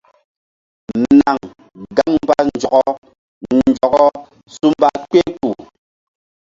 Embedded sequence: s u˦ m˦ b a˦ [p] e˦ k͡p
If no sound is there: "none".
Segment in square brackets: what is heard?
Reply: k͡p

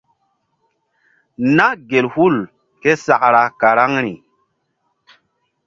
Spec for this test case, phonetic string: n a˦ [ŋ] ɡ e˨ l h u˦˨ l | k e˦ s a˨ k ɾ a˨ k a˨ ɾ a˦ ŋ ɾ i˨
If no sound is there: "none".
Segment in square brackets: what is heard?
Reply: none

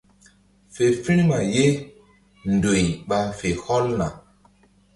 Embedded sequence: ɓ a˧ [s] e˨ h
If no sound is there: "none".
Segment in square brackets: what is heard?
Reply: f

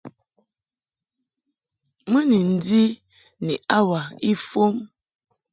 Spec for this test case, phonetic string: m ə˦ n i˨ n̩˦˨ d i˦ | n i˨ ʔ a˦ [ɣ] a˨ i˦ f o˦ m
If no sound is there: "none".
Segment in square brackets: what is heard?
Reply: w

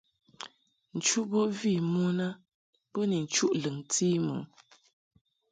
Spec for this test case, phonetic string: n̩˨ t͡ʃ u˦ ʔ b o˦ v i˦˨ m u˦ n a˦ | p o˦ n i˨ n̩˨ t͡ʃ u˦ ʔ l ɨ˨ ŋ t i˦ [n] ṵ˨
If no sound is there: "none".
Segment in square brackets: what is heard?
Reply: m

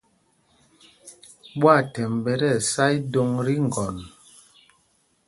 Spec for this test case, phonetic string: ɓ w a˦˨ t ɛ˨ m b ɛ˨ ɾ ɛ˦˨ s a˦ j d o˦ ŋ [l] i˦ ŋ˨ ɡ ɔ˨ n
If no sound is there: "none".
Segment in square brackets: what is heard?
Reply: ɾ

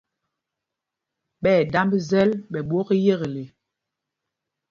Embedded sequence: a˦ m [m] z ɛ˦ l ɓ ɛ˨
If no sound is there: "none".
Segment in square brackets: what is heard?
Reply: b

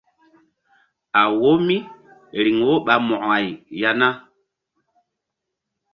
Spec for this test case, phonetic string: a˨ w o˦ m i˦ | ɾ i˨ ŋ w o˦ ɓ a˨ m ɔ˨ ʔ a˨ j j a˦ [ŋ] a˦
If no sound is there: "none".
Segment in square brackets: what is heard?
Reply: n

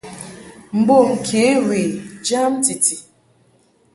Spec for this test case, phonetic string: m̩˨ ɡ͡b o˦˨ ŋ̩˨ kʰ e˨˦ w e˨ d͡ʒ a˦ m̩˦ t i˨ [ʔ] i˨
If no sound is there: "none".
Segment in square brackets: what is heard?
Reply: t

